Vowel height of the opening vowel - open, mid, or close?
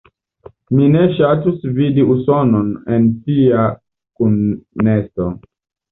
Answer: close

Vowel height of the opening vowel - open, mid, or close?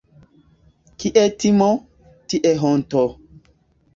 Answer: close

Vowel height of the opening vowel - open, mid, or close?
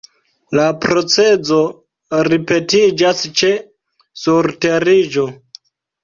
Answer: open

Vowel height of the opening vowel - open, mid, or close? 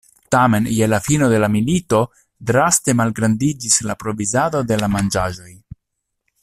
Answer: open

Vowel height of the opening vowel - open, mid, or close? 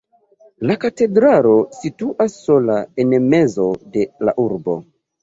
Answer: open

